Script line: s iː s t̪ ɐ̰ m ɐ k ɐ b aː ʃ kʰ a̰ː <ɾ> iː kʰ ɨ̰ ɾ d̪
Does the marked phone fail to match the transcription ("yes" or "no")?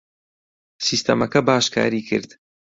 no